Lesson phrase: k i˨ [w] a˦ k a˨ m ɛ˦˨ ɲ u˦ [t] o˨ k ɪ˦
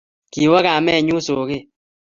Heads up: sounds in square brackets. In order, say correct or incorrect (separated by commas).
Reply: correct, incorrect